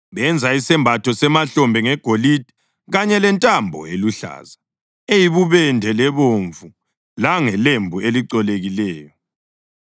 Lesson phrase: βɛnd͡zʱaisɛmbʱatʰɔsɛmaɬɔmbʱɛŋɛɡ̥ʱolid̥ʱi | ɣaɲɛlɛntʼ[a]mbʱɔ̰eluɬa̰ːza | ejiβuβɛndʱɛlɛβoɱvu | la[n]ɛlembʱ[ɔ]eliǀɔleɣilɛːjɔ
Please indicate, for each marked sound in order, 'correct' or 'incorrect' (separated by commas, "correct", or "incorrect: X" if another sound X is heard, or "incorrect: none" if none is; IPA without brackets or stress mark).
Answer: correct, incorrect: ŋ, incorrect: u